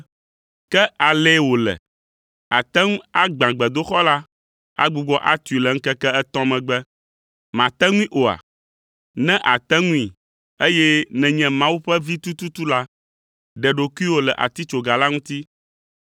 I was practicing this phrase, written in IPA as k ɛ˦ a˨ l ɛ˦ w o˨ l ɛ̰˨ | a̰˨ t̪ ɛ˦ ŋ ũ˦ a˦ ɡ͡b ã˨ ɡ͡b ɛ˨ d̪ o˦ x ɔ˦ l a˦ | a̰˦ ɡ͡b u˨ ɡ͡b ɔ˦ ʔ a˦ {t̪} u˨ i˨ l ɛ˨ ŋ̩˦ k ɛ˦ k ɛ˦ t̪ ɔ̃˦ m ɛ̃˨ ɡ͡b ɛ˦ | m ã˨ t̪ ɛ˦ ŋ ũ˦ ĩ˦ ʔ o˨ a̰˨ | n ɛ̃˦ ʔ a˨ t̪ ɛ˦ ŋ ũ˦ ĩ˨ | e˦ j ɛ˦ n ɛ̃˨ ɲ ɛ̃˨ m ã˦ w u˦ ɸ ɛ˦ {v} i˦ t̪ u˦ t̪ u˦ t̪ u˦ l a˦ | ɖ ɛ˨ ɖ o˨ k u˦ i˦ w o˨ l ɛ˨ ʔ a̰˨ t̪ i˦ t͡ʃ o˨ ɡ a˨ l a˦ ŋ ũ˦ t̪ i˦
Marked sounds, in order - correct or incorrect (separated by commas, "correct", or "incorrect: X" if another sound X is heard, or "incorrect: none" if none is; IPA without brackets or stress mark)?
correct, correct